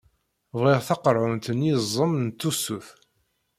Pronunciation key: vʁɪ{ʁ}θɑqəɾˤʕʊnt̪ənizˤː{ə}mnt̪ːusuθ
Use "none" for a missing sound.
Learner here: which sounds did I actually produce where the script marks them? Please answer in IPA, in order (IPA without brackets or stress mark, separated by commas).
ʁ, ə